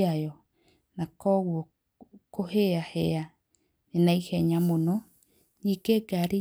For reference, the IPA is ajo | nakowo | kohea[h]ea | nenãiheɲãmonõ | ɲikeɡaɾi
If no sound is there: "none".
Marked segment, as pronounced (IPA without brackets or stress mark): h